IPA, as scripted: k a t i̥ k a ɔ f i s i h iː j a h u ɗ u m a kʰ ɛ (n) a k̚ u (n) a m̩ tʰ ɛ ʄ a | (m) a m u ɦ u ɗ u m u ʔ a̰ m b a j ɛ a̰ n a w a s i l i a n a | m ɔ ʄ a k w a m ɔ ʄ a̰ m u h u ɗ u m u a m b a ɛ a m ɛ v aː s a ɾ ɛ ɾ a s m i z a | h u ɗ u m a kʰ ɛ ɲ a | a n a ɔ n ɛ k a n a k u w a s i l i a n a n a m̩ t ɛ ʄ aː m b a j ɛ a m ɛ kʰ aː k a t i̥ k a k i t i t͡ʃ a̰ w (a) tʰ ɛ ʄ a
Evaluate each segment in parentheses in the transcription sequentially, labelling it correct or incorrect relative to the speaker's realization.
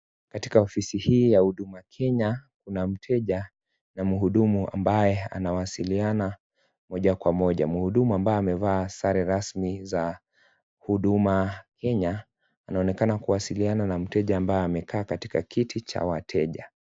incorrect, correct, incorrect, correct

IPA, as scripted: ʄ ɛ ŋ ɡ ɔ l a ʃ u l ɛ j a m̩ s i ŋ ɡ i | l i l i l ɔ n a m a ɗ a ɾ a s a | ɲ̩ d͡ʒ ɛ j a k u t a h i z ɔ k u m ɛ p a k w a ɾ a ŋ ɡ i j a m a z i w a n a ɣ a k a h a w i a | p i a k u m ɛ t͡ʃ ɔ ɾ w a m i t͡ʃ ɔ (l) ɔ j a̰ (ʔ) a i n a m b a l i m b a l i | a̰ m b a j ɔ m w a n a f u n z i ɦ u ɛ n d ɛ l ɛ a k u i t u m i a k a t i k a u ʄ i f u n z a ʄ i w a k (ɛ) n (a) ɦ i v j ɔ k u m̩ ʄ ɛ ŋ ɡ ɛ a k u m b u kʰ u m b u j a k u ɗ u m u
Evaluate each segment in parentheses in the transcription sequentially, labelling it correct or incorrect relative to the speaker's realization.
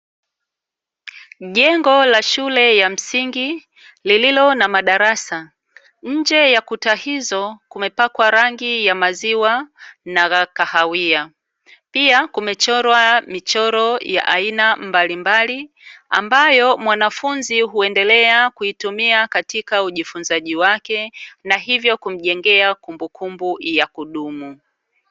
incorrect, correct, correct, correct

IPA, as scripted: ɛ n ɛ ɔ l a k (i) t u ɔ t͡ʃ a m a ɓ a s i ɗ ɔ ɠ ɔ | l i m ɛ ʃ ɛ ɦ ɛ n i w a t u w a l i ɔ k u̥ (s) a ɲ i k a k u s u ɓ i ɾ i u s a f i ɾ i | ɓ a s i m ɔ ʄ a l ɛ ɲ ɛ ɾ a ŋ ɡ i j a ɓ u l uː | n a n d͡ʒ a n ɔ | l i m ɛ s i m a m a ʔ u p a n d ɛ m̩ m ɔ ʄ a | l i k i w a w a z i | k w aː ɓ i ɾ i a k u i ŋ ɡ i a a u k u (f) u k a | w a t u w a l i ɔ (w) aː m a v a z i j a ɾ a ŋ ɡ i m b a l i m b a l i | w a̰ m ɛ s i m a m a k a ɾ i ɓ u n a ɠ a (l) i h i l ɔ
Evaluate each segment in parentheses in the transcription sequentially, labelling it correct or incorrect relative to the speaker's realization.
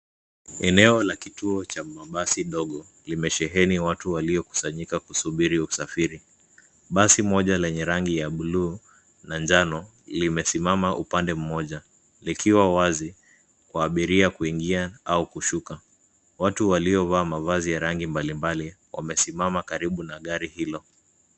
correct, correct, incorrect, incorrect, incorrect

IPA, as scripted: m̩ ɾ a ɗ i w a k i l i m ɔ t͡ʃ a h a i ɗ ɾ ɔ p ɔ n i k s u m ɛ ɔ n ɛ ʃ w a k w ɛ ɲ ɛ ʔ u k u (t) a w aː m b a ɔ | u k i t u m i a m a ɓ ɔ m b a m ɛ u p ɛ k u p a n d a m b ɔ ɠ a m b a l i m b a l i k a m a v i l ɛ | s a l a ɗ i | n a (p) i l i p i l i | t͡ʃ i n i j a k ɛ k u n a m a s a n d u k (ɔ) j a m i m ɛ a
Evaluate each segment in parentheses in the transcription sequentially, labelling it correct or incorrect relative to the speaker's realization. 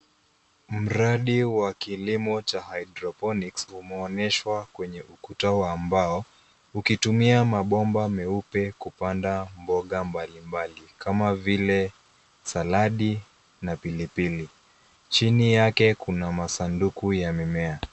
correct, correct, incorrect

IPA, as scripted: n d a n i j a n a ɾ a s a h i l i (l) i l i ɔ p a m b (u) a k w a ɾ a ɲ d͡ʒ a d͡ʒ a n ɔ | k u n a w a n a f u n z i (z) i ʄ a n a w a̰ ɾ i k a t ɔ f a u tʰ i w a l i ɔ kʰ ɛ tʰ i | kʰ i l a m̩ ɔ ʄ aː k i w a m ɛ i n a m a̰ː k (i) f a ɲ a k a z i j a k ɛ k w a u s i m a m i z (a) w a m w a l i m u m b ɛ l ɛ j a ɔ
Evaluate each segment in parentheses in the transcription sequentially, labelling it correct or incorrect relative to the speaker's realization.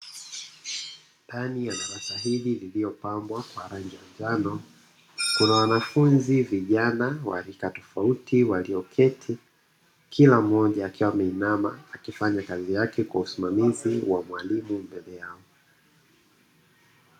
correct, incorrect, incorrect, correct, incorrect

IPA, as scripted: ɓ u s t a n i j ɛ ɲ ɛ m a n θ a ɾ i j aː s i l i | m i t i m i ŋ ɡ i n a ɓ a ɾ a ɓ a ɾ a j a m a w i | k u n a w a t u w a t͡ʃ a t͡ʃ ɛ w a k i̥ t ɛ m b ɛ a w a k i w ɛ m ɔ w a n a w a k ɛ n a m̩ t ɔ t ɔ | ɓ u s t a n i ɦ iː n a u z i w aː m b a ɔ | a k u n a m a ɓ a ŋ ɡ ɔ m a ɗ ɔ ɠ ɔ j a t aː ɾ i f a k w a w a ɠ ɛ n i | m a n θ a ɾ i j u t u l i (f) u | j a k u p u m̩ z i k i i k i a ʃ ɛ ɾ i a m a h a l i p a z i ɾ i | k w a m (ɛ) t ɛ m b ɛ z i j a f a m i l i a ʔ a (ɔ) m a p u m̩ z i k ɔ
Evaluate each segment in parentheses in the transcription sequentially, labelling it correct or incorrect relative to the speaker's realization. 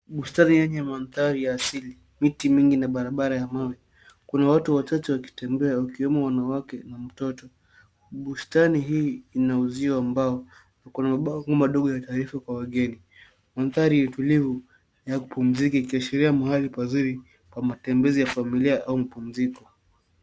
incorrect, incorrect, incorrect

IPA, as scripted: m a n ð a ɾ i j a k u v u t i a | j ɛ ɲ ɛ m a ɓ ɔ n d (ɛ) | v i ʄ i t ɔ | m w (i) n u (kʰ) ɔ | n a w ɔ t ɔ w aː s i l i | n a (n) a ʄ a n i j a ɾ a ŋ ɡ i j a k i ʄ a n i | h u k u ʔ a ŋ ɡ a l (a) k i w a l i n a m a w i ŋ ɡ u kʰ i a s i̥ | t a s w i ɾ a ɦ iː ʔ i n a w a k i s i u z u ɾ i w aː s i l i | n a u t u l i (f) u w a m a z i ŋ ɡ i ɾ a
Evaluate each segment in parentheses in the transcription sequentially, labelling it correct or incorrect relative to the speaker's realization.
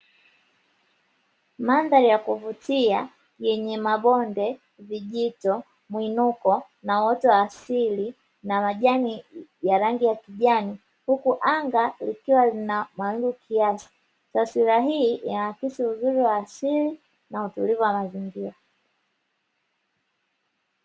correct, correct, incorrect, incorrect, incorrect, incorrect

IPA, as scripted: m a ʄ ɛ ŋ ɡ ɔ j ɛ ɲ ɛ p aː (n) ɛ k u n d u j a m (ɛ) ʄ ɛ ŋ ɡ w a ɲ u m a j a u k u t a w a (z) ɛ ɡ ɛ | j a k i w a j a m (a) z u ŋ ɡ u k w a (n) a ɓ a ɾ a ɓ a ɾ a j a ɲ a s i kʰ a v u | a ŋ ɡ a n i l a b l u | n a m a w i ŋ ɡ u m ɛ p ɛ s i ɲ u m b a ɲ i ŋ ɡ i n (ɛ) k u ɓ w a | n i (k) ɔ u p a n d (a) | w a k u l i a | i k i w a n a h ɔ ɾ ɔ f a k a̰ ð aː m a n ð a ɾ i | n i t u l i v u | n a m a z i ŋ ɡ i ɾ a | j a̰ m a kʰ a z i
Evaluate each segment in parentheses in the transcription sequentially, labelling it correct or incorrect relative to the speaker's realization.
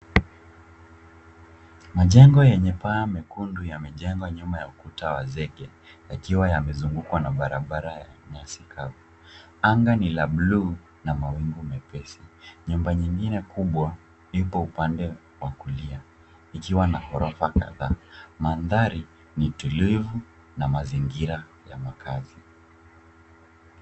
incorrect, correct, correct, incorrect, correct, correct, incorrect, incorrect

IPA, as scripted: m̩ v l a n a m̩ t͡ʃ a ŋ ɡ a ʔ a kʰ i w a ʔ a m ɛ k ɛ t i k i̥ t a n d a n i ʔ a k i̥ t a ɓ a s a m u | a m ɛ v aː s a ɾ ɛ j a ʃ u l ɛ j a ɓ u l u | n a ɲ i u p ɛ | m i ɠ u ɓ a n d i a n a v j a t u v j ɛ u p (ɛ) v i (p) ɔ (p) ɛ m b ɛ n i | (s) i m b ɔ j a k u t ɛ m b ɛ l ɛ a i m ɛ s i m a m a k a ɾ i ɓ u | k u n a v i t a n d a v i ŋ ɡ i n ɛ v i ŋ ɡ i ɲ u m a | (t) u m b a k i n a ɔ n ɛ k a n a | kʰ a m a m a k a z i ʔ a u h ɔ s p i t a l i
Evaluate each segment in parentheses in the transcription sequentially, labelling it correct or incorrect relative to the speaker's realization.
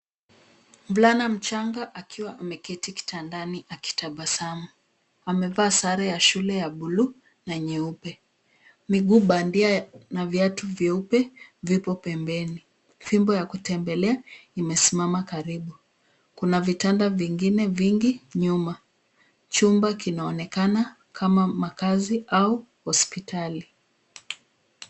correct, correct, correct, incorrect, incorrect

